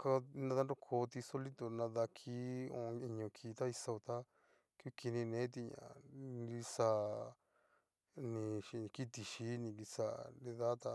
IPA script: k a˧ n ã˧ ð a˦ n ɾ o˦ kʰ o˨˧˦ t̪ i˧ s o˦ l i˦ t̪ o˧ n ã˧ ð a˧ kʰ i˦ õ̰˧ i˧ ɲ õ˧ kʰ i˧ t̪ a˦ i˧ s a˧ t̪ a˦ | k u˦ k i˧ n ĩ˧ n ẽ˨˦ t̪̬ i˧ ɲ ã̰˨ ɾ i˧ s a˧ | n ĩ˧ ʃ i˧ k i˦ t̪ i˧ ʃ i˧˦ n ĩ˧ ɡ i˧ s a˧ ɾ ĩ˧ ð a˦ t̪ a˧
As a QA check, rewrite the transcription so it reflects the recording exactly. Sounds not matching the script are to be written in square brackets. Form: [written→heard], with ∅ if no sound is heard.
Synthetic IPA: k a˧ n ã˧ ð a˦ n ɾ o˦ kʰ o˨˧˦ t̪ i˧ s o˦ l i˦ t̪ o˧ n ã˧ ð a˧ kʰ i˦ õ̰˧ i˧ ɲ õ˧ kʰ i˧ t̪ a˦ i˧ s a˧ t̪ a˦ | k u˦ k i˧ n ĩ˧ n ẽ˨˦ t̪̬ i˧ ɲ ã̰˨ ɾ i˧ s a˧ | n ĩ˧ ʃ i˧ k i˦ t̪ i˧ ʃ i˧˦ n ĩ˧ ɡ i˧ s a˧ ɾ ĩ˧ ð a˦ t̪ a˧